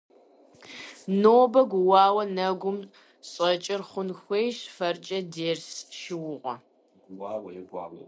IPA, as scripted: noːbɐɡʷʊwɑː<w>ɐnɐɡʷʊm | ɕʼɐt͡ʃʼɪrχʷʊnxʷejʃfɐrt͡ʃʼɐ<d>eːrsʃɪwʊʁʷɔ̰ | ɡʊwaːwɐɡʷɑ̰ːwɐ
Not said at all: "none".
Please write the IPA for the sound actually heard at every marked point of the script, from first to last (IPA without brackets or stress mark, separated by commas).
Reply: w, d